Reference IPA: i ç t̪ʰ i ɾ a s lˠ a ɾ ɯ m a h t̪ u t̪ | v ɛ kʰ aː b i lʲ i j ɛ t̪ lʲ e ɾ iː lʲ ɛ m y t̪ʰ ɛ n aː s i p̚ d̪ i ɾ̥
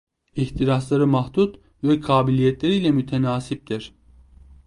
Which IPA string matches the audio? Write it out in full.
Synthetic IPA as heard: i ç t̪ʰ i ɾ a s lˠ a ɾ ɯ m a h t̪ u t̪ | v ɛ kʰ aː b i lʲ i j ɛ t̪ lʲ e ɾ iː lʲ ɛ m y t̪ʰ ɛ n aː s i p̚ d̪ i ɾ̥